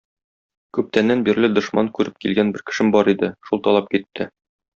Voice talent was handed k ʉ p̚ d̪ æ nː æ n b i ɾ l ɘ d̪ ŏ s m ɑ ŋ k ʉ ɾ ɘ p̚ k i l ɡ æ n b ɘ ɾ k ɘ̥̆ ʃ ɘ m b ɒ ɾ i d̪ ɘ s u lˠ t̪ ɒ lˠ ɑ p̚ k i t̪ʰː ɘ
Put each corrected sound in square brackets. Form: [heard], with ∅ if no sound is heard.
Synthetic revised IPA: k ʉ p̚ [t̪] æ nː æ n b i ɾ l ɘ d̪ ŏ [ʃ] m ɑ ŋ k ʉ ɾ ɘ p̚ k i l ɡ æ n b ɘ ɾ k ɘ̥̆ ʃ ɘ m b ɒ ɾ i d̪ ɘ [ʃ] u lˠ t̪ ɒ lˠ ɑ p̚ k i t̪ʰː ɘ